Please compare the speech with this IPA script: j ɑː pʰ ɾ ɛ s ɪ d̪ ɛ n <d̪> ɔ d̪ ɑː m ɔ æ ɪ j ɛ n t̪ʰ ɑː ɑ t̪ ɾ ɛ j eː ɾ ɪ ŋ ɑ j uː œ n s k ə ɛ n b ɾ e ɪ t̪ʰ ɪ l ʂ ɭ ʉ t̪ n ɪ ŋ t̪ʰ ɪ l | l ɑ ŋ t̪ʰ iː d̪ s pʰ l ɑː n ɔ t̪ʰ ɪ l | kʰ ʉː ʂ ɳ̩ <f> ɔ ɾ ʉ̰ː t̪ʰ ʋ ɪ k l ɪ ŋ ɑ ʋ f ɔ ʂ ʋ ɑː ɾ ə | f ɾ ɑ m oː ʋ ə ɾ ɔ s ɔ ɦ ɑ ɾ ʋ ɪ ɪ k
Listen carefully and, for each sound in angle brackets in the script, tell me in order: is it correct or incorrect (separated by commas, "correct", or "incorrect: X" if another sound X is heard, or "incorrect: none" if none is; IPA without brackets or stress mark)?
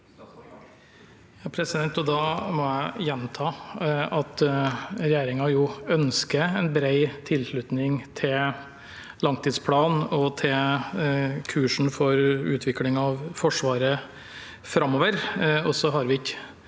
incorrect: t̪, correct